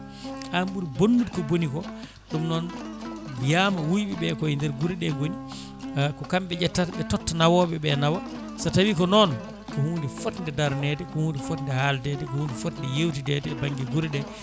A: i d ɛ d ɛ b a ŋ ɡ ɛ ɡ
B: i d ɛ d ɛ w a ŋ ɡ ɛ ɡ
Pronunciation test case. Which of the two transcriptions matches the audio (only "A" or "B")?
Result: A